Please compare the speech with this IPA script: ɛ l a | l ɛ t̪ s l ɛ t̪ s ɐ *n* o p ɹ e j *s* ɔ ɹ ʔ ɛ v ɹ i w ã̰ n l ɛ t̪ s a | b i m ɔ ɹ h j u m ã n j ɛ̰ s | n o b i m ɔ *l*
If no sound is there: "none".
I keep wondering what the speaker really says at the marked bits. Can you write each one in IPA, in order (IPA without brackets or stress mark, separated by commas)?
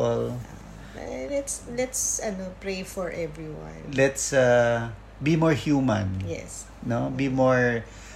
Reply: n, f, ɹ